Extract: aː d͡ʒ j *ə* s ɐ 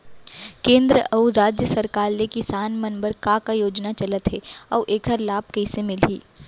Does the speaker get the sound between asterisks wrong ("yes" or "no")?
no